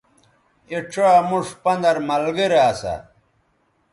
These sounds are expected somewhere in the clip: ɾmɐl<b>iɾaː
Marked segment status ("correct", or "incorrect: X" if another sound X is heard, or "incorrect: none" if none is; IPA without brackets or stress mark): incorrect: ɡ